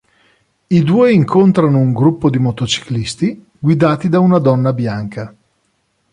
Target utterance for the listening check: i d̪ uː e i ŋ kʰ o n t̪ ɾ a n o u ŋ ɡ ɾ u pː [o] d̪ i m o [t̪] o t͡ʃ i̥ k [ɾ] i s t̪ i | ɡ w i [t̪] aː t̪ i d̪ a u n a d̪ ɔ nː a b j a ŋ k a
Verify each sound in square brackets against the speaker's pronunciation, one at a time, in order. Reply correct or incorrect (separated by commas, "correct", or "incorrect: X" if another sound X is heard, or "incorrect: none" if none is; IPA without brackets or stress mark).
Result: correct, correct, incorrect: l, incorrect: d̪